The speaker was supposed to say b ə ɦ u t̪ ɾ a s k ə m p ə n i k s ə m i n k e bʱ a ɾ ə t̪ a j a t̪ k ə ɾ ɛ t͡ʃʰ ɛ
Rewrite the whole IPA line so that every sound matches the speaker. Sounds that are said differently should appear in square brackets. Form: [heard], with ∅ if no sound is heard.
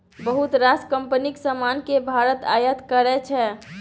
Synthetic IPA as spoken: b ə ɦ u t̪ ɾ a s k ə m p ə n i k s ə m [a] n k e bʱ a ɾ ə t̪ a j [ə] t̪ k ə ɾ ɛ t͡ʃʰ ɛ